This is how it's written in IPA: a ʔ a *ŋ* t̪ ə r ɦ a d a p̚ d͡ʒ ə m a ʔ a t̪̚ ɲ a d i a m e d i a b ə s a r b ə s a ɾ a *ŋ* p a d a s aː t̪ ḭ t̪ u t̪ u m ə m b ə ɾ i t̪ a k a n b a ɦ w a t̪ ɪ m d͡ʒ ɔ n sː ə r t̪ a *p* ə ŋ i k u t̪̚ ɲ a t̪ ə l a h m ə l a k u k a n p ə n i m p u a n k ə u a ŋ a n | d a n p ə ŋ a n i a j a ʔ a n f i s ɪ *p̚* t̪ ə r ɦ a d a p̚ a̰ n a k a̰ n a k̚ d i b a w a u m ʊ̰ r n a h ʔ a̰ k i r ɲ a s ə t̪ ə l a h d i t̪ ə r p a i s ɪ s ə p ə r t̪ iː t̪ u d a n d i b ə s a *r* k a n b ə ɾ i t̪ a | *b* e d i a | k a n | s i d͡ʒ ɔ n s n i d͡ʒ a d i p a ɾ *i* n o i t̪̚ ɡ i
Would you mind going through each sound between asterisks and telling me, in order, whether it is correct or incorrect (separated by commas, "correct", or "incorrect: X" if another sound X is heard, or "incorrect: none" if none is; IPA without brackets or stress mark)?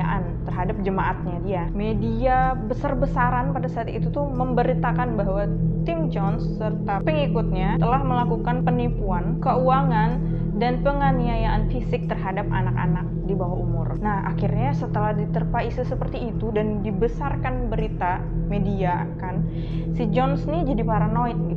incorrect: n, incorrect: n, correct, incorrect: k̚, correct, incorrect: m, incorrect: a